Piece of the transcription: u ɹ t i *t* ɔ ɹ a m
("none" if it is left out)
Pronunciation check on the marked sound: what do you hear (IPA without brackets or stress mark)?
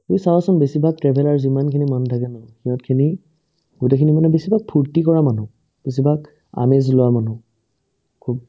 k